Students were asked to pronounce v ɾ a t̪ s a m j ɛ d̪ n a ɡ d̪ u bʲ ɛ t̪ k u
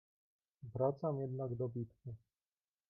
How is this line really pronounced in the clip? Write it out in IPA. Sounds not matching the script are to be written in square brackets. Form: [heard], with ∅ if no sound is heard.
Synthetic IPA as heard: v ɾ a t̪ s a m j ɛ d̪ n a ɡ d̪ [ɔ] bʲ [i] t̪ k u